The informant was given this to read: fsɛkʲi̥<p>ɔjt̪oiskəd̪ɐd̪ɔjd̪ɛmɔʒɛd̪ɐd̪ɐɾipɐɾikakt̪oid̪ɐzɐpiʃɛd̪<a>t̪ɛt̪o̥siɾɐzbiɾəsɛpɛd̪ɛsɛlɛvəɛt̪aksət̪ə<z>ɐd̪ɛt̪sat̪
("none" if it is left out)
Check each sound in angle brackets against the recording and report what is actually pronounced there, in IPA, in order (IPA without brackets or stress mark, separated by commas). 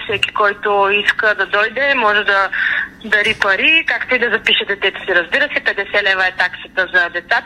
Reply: k, ɛ, z